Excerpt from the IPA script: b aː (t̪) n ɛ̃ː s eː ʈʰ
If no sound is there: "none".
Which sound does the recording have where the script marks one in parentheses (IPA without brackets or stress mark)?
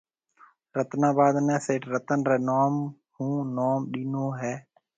d̪